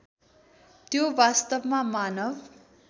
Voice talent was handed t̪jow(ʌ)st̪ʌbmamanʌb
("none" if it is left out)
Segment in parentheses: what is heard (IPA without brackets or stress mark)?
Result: a